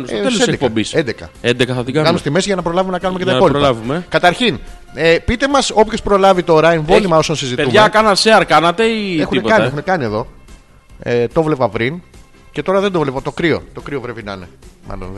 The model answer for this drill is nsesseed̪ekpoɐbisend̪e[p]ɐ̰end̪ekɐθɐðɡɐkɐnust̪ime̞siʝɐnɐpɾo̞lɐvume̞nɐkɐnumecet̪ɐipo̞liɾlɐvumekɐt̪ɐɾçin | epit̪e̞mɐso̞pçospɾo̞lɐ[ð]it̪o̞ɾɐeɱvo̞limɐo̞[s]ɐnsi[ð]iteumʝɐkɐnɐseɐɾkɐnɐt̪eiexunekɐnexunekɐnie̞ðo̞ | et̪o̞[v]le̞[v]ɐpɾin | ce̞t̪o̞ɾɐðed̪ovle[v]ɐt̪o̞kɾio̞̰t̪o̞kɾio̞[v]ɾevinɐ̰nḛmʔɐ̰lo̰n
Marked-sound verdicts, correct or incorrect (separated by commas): incorrect, incorrect, correct, incorrect, correct, correct, correct, correct